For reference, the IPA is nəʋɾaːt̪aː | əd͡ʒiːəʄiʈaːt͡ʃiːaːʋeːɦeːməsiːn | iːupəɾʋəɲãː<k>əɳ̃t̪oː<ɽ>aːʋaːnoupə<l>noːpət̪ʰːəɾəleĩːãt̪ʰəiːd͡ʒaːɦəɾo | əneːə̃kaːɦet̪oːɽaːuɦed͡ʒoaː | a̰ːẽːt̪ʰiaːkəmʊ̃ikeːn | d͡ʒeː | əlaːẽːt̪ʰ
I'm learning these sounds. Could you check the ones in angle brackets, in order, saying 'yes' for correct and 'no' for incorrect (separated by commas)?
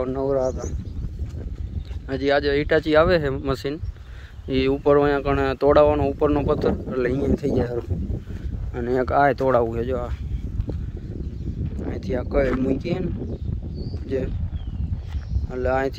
yes, yes, no